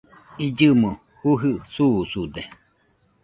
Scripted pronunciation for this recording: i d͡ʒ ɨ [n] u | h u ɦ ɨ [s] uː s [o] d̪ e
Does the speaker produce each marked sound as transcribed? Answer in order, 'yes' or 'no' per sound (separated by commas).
no, yes, no